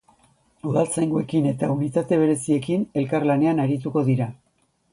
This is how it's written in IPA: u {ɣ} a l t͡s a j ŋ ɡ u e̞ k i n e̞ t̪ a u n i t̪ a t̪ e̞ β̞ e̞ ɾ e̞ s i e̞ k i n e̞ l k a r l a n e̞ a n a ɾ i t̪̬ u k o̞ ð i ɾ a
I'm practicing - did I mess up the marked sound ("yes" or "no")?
yes